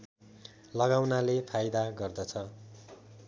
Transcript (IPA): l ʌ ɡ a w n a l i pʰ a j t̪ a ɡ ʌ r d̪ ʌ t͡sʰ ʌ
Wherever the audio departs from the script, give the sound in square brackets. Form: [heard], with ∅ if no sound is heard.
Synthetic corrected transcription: l ʌ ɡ a w n a l [e] pʰ a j [d̪] a ɡ ʌ r d̪ ʌ t͡sʰ ʌ